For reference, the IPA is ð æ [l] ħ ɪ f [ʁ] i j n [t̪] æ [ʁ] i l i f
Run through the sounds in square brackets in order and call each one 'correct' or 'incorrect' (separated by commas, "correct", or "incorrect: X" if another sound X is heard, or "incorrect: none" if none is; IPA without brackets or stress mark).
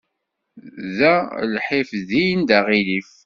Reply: correct, incorrect: ð, incorrect: d̪, correct